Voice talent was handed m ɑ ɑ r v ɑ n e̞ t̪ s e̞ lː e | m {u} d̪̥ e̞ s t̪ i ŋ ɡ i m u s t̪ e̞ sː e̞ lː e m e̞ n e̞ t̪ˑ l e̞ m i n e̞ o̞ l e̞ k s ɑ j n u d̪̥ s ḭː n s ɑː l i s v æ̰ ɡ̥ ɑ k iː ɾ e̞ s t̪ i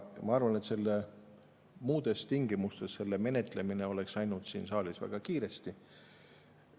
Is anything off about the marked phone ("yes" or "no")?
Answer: yes